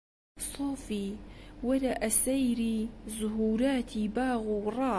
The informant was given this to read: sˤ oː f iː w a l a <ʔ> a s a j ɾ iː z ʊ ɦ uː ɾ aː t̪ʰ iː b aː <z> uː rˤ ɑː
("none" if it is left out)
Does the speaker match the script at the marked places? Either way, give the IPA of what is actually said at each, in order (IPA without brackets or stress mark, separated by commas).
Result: ʔ, ɣ